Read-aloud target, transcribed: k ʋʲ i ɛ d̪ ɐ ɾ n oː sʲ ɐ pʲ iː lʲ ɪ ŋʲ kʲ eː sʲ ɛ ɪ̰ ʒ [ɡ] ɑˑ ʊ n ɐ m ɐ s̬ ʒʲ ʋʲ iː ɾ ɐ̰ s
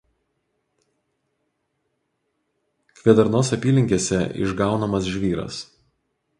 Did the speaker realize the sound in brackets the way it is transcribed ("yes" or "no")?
yes